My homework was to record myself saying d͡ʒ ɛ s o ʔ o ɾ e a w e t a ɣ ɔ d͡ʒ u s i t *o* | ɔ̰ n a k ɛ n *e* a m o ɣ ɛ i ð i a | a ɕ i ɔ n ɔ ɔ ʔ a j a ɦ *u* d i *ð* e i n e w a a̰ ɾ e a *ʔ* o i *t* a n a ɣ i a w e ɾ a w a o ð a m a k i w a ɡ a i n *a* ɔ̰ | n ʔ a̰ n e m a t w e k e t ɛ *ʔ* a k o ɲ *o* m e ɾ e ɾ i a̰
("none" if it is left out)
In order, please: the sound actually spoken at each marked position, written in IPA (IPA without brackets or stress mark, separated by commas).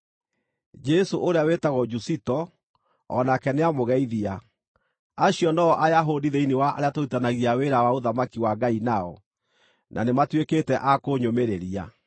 ɔ, e, o, ð, t, t, a, ʔ, o